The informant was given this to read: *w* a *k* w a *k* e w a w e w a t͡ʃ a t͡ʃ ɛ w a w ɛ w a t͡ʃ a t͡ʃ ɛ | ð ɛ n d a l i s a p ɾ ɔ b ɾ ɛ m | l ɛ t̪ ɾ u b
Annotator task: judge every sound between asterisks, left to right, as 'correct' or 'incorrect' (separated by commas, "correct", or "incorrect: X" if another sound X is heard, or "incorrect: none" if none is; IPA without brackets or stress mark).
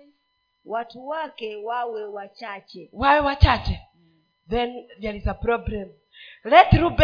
correct, incorrect: t, correct